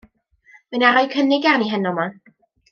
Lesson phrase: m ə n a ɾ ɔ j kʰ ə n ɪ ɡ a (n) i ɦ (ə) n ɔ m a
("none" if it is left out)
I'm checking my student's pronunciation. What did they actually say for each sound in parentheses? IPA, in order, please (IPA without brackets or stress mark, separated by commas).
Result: n, ə